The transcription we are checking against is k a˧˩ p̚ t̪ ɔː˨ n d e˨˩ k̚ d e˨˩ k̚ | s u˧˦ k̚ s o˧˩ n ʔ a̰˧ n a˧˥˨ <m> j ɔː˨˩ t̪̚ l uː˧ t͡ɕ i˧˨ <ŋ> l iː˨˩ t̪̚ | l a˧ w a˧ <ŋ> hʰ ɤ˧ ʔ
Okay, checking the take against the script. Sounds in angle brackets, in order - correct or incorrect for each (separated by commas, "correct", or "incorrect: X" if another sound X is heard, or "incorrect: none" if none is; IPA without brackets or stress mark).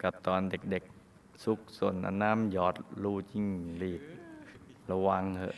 correct, correct, correct